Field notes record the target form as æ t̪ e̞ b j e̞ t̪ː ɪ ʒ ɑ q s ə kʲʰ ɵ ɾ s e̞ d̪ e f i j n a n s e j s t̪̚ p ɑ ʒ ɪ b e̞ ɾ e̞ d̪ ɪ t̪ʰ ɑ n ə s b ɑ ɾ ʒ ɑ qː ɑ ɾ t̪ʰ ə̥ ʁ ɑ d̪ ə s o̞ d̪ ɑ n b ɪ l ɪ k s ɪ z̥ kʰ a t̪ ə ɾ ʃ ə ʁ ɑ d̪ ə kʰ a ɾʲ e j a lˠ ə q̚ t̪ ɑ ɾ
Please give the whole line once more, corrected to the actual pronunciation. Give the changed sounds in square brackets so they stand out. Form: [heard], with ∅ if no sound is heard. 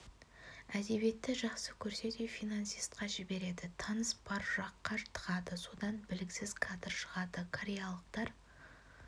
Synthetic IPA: æ [d̪] e̞ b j e̞ t̪ː ɪ ʒ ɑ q s ə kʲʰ ɵ ɾ s e̞ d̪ e f i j n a n s [i] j s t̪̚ [q] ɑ ʒ ɪ b e̞ ɾ e̞ d̪ ɪ t̪ʰ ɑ n ə s b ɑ ɾ ʒ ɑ qː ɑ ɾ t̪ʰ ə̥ ʁ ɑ d̪ ə s o̞ d̪ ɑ n b ɪ l ɪ k s ɪ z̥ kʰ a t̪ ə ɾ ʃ ə ʁ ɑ d̪ ə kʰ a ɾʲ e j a lˠ ə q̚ t̪ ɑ ɾ